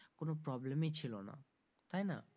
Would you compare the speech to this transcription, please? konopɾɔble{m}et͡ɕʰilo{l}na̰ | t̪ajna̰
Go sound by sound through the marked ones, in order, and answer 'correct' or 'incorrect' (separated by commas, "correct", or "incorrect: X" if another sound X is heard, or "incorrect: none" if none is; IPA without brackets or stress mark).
correct, incorrect: none